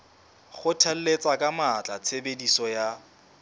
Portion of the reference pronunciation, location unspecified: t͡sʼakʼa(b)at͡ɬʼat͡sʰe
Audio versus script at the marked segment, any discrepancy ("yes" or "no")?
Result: yes